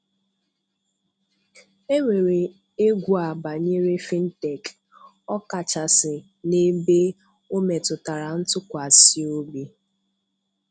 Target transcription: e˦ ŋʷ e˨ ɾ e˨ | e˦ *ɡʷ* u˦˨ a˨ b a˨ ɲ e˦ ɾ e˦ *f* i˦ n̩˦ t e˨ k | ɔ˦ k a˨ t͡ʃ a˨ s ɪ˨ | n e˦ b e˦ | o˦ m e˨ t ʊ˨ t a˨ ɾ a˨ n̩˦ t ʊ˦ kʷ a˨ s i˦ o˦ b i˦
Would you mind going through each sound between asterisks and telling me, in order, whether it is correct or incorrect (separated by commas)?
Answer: correct, correct